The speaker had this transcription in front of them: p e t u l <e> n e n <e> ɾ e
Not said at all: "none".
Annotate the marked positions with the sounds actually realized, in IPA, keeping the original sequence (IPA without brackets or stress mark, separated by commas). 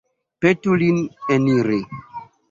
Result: i, i